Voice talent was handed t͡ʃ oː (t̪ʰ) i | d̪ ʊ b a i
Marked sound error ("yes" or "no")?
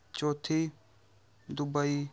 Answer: no